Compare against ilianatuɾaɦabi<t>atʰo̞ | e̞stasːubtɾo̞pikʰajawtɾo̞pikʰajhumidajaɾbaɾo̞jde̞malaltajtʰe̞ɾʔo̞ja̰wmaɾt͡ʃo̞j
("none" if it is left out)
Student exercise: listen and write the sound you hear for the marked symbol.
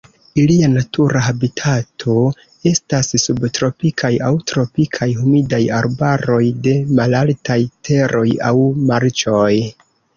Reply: tʰ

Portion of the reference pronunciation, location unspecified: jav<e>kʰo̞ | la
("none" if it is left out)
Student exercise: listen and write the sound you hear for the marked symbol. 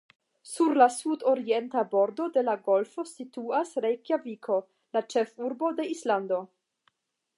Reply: i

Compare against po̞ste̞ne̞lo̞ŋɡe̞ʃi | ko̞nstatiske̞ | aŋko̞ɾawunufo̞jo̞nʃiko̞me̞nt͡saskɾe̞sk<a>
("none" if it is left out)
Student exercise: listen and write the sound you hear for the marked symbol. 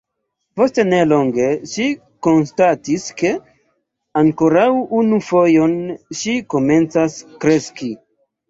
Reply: i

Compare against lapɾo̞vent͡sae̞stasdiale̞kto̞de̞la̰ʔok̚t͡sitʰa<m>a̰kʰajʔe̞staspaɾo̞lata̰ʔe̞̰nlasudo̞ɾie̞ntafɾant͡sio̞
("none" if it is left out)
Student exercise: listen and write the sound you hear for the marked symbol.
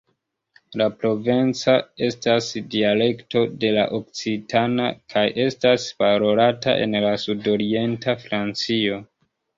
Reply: n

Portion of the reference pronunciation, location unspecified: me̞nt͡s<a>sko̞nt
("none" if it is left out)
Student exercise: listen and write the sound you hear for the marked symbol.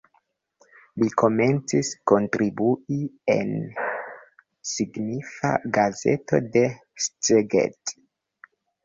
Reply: i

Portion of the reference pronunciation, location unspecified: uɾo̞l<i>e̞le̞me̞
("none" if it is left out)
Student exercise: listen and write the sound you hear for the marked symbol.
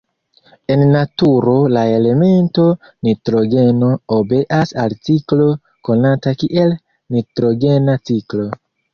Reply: a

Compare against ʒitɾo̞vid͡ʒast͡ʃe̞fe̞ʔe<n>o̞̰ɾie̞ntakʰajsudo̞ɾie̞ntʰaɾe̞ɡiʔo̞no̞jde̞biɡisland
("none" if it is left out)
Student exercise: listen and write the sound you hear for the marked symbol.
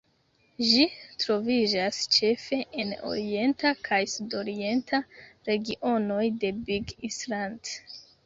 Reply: n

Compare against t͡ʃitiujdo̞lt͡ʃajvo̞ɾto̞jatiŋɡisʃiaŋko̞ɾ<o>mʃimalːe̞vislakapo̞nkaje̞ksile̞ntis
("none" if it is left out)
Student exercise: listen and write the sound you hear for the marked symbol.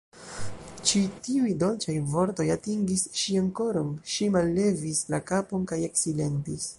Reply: o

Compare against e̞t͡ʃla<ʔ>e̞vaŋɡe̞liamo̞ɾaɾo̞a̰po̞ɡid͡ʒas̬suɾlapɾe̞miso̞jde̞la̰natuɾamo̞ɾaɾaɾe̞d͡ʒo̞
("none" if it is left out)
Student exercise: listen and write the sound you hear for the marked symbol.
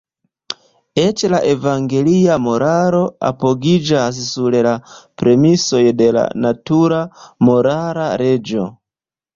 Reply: ʔ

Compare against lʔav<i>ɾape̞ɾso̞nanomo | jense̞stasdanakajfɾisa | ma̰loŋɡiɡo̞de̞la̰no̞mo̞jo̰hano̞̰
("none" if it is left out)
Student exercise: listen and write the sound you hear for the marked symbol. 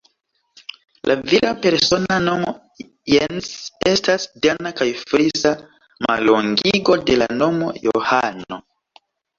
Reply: i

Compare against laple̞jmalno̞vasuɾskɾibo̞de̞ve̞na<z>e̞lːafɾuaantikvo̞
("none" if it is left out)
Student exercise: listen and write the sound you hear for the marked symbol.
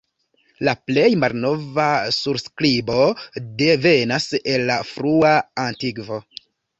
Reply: s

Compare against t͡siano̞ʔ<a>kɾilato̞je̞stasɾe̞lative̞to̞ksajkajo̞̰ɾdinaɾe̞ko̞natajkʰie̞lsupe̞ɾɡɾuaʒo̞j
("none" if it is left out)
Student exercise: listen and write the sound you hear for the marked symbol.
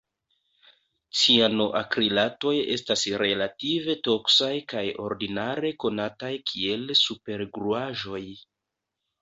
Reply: a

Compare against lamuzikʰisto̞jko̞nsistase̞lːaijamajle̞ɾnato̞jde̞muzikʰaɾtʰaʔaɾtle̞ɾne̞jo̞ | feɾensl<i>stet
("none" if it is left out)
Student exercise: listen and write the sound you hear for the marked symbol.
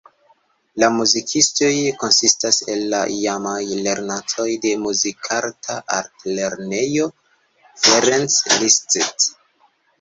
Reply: i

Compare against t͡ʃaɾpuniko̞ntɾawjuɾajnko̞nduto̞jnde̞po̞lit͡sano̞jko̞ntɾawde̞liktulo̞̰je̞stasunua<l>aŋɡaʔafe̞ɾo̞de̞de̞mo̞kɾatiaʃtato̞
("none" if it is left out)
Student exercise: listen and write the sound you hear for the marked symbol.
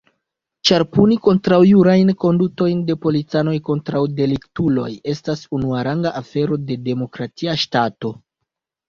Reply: ɾ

